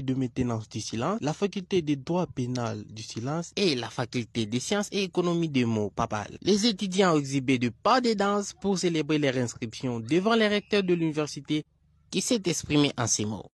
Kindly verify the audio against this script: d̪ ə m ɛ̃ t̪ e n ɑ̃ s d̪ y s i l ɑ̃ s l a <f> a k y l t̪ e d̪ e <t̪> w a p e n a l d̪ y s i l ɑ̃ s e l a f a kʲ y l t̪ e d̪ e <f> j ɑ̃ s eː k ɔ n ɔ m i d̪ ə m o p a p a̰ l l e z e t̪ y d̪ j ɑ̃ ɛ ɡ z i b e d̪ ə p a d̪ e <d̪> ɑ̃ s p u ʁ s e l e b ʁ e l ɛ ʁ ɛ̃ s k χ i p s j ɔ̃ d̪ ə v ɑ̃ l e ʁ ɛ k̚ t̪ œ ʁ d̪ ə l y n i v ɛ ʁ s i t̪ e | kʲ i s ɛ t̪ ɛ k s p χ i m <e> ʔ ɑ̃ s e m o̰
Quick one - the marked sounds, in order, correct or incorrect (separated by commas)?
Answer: correct, incorrect, incorrect, correct, correct